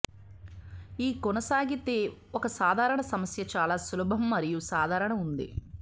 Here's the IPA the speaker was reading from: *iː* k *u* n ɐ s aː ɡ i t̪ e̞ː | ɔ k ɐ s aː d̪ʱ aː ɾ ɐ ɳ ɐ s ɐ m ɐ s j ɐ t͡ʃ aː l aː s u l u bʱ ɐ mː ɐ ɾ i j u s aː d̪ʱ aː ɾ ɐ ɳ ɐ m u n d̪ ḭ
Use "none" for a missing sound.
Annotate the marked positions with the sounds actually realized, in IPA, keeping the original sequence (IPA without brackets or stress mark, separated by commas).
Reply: iː, ɔ